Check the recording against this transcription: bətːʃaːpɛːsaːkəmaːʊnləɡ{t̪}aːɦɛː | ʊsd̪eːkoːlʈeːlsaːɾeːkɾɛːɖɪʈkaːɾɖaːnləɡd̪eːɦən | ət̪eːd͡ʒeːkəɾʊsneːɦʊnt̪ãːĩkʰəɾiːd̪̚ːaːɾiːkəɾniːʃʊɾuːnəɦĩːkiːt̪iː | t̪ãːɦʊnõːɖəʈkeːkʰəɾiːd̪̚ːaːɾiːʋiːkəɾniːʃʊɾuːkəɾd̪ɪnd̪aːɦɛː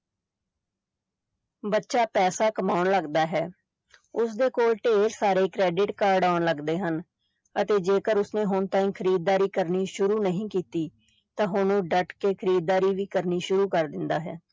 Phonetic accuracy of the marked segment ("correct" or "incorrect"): incorrect